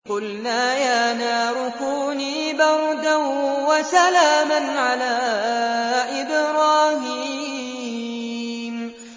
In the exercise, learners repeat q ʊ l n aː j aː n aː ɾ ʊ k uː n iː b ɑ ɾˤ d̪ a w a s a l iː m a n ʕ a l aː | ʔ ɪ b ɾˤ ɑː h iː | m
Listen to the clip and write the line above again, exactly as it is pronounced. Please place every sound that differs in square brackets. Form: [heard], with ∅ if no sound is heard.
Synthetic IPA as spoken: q ʊ l n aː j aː n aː ɾ ʊ k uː n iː b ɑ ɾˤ d̪ a w a s a l [aː] m a n ʕ a l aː | ʔ ɪ b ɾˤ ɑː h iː | m

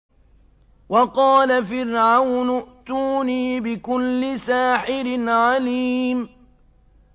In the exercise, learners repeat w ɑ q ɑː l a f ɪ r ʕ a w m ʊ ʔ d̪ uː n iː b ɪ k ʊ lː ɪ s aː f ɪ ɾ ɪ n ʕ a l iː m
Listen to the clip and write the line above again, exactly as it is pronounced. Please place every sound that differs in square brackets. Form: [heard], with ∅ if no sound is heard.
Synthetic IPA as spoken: w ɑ q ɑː l a f ɪ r ʕ a w [n] ʊ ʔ [t̪] uː n iː b ɪ k ʊ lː ɪ s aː [ħ] ɪ ɾ ɪ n ʕ a l iː m

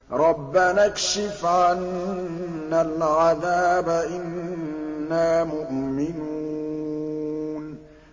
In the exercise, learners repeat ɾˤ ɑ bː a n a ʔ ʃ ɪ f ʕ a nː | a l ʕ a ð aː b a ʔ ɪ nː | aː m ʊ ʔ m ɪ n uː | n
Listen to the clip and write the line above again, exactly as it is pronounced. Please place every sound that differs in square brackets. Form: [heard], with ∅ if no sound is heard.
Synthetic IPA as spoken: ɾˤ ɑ bː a n a [k] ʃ ɪ f ʕ a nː | a l ʕ a ð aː b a ʔ ɪ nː | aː m ʊ ʔ m ɪ n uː | n

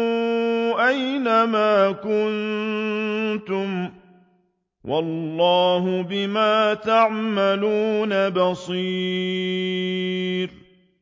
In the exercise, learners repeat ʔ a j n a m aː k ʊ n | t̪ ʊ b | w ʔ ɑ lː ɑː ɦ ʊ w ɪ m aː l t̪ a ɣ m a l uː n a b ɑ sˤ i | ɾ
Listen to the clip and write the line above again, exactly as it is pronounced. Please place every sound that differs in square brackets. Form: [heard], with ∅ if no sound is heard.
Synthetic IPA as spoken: ʔ a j n a m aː k ʊ n | t̪ ʊ [m] | w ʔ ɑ lː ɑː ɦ ʊ [b] ɪ m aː [∅] t̪ a [ʕ] m a l uː n a b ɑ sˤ i | ɾ

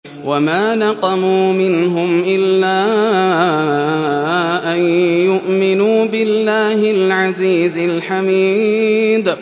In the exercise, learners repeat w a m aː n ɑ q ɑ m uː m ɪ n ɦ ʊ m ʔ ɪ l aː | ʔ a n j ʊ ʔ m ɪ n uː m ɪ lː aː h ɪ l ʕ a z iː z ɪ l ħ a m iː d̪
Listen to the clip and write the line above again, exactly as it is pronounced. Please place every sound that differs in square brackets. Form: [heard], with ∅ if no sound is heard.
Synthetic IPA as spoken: w a m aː n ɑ q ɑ m uː m ɪ n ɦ ʊ m ʔ ɪ [lː] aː | ʔ a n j ʊ ʔ m ɪ n uː [b] ɪ lː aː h ɪ l ʕ a z iː z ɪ l ħ a m iː d̪

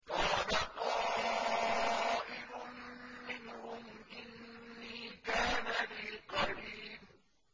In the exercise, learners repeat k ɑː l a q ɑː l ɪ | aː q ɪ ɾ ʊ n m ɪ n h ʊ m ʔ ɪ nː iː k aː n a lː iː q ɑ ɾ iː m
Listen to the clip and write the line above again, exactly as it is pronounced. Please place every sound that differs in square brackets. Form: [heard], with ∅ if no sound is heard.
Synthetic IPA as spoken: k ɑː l a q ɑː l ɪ | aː [ʔ] ɪ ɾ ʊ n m ɪ n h ʊ m ʔ ɪ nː iː k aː n a [l] iː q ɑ ɾ iː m

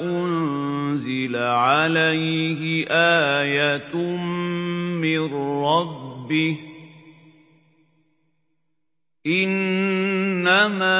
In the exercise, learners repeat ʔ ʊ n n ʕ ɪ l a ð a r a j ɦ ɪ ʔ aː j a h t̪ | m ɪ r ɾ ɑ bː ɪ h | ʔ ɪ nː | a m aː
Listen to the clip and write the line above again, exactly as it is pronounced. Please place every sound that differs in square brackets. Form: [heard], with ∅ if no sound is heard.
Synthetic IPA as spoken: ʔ ʊ n n [z] ɪ l a [ʕ] a [l] a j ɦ ɪ ʔ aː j a [∅] t̪ | m ɪ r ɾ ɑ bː ɪ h | ʔ ɪ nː | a m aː

